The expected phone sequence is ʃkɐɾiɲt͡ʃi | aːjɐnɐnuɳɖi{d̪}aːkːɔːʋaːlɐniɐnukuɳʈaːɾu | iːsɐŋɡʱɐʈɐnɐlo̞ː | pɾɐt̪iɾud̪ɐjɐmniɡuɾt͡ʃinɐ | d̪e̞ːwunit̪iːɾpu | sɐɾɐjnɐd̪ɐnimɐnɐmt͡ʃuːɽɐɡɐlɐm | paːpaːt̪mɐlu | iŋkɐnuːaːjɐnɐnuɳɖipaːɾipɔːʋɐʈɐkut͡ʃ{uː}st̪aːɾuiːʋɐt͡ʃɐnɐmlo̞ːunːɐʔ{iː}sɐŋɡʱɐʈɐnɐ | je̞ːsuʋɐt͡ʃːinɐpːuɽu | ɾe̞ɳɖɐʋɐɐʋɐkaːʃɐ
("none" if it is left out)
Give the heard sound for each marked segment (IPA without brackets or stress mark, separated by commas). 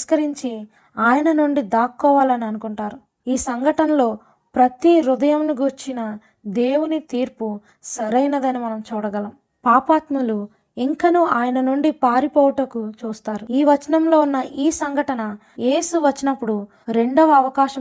d̪, uː, iː